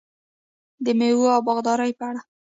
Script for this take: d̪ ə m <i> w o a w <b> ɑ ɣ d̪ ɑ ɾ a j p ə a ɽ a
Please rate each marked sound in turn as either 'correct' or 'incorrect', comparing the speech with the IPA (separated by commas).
incorrect, correct